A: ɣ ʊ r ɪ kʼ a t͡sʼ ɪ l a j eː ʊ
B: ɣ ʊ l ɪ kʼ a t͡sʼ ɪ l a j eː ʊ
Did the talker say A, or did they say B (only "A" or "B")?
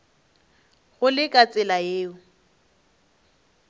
B